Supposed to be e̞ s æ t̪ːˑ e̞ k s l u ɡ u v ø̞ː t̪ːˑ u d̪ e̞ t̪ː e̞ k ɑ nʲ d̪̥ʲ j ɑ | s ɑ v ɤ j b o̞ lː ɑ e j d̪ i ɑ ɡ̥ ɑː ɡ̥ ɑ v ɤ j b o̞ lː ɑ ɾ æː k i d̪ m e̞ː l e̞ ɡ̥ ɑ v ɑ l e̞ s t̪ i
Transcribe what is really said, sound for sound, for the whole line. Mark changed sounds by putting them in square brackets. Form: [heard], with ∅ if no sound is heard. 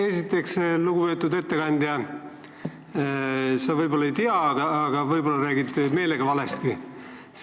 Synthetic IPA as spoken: e̞ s [i] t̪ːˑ e̞ k s l u ɡ u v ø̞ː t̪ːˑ u d̪ e̞ t̪ː e̞ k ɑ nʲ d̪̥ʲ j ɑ | s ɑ v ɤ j b o̞ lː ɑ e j [t̪] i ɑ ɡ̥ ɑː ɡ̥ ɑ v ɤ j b o̞ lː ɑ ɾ æː [ɡ] i d̪ m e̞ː l e̞ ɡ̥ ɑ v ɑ l e̞ s t̪ i